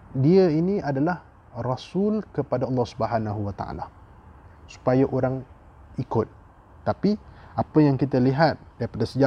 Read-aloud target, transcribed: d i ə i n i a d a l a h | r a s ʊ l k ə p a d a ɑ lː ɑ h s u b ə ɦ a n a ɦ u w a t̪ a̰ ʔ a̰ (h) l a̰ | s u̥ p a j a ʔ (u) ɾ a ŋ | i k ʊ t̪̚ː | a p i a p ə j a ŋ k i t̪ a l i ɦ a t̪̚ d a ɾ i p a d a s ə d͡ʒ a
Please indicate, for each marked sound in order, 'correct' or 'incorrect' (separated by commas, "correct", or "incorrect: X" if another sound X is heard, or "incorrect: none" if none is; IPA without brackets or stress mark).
incorrect: none, incorrect: o